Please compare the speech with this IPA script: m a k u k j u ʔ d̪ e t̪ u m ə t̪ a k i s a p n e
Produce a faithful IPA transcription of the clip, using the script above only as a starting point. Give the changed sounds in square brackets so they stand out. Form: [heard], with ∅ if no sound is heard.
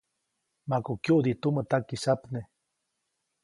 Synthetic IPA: m a k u k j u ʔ d̪ [i] t̪ u m ə t̪ a k i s a p n e